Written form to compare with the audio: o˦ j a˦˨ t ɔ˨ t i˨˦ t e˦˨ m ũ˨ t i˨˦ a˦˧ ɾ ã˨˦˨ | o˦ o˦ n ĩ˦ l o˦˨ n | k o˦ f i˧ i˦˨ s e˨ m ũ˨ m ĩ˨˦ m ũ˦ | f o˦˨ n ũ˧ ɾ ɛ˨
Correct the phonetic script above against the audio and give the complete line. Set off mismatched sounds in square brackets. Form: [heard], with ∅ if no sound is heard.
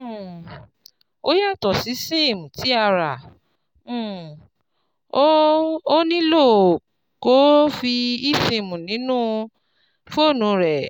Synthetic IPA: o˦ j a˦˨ t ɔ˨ [s] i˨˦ [s] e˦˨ m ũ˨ t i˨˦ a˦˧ ɾ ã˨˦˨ | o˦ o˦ n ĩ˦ l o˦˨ [∅] | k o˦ f i˧ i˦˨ s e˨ m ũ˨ [n] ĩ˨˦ [n] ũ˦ | f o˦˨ n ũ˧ ɾ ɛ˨